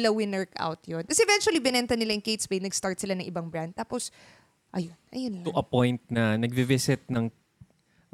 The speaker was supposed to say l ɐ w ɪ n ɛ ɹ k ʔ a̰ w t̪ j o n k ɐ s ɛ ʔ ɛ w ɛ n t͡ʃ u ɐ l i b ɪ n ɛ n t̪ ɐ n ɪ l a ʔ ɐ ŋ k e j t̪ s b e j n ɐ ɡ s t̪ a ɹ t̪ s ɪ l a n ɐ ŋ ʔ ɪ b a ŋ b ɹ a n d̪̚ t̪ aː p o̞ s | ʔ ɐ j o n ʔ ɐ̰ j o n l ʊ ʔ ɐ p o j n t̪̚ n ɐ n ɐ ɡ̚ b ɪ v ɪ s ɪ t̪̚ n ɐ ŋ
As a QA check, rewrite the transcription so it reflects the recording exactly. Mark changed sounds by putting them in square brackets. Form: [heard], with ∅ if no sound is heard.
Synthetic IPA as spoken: l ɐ w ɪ n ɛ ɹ k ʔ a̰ w t̪ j o n k ɐ s ɛ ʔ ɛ [v] ɛ n t͡ʃ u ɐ l i b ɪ n ɛ n t̪ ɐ n ɪ l a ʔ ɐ ŋ k e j t̪ s b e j n ɐ ɡ s t̪ a ɹ t̪ s ɪ l a n ɐ ŋ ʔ ɪ b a ŋ b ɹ a n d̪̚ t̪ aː p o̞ s | ʔ ɐ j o n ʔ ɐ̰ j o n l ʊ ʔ ɐ p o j n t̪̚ n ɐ n ɐ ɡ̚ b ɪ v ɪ s ɪ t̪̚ n ɐ ŋ